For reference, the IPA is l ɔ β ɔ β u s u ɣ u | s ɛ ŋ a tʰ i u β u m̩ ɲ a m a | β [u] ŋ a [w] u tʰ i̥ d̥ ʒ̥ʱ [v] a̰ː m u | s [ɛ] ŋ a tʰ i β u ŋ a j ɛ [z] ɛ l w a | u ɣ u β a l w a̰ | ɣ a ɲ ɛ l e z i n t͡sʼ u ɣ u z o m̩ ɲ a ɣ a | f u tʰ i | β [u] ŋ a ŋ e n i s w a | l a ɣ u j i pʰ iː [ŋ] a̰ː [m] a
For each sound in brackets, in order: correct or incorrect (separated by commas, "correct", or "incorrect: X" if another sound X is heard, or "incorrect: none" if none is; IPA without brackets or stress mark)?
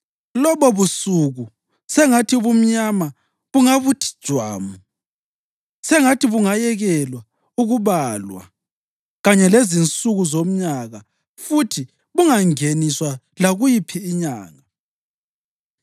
correct, incorrect: β, incorrect: w, correct, incorrect: ɣ, correct, incorrect: ɲ, incorrect: ŋ